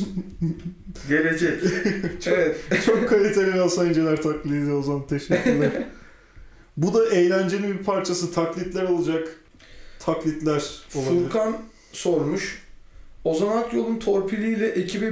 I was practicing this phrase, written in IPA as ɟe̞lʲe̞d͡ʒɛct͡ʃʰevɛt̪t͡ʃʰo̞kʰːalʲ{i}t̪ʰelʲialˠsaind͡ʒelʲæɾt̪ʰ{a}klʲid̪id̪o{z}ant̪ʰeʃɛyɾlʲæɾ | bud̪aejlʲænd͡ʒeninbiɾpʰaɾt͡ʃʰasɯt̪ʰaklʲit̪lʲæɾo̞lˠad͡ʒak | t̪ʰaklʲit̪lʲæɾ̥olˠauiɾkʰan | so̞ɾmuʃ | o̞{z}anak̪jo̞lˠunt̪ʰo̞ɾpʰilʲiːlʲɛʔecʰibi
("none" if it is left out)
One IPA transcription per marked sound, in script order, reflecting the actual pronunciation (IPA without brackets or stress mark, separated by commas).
i, a, z, z